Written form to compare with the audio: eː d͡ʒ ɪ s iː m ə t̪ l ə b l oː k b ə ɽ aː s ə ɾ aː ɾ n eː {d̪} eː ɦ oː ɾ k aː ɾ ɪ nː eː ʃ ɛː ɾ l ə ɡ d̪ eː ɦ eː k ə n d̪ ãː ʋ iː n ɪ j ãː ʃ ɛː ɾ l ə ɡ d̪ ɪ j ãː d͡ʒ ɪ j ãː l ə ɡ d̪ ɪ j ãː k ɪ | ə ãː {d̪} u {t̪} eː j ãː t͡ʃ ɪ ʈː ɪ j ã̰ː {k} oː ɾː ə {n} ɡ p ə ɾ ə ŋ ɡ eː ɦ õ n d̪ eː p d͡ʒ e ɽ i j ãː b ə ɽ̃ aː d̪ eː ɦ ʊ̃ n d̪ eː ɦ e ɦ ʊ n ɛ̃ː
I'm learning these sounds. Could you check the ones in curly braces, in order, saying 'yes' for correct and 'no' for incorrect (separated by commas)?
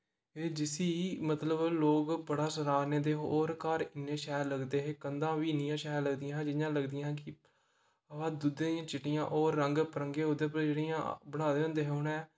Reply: yes, yes, no, no, no